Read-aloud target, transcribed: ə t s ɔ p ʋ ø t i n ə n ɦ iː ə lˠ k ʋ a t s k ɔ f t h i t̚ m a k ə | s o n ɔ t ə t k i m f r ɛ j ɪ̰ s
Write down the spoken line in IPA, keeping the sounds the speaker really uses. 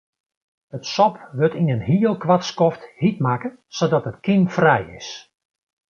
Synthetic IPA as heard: ə t s ɔ p ʋ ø t i n ə n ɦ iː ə lˠ k ʋ a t s k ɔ f t h i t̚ m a k ə | s o d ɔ t ə t k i m f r ɛ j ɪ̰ s